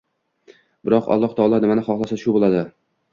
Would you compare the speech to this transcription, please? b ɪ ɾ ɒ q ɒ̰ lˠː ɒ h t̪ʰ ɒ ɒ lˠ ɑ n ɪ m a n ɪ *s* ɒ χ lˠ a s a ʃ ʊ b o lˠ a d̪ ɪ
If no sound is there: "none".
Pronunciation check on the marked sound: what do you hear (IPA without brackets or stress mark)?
χ